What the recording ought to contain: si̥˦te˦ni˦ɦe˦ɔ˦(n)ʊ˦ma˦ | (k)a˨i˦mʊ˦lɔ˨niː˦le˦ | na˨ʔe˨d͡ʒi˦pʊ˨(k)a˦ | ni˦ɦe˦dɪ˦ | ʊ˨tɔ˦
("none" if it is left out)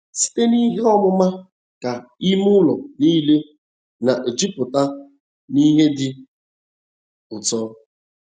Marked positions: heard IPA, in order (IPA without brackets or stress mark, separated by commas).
m, k, t